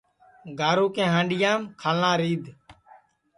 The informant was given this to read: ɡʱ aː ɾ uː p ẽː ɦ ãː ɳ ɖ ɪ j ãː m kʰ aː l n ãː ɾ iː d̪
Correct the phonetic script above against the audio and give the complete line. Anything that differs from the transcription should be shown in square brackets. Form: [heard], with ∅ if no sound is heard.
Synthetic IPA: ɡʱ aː ɾ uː [k] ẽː ɦ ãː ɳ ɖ ɪ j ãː m kʰ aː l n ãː ɾ iː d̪